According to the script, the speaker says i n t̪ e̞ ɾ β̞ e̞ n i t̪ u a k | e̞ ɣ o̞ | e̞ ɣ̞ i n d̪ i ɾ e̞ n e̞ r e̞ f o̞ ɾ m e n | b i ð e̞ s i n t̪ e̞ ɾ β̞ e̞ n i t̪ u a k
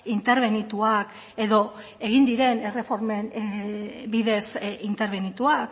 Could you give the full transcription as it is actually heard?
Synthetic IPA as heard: i n t̪ e̞ ɾ β̞ e̞ n i t̪ u a k | e̞ ð o̞ | e̞ ɣ̞ i n d̪ i ɾ e̞ n e̞ r e̞ f o̞ ɾ m e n | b i ð e̞ s i n t̪ e̞ ɾ β̞ e̞ n i t̪ u a k